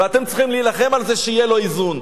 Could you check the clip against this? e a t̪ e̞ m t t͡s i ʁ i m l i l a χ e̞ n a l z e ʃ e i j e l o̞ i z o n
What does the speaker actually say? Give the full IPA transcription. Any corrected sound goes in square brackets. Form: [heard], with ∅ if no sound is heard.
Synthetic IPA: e a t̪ e̞ m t t͡s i [χ] i m l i l a χ e̞ [m] a l z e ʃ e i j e l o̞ i z [u] n